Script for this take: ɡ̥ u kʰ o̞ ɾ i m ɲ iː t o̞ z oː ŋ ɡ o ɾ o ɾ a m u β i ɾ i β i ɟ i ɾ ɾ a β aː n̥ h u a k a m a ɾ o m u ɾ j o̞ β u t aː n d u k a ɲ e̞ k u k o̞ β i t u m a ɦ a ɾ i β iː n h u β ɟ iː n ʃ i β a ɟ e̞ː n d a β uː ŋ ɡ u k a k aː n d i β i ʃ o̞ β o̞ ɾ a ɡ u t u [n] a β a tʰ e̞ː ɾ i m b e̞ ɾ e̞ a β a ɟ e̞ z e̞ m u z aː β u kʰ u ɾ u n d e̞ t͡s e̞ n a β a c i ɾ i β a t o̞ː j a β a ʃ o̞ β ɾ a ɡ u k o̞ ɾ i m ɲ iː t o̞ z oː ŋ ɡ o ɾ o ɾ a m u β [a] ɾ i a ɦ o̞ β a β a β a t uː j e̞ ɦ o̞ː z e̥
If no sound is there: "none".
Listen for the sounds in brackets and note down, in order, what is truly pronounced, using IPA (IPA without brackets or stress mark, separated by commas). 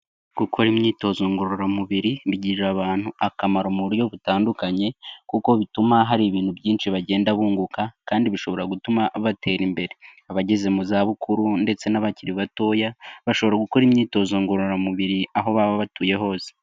m, i